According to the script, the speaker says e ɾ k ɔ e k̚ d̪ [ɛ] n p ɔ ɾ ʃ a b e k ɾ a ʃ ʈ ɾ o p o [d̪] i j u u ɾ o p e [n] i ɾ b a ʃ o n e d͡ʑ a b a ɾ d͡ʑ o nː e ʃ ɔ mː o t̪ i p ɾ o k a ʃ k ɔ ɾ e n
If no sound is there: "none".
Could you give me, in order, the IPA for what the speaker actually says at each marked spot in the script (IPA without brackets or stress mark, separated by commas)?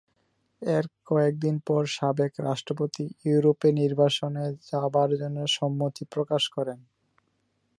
i, t̪, n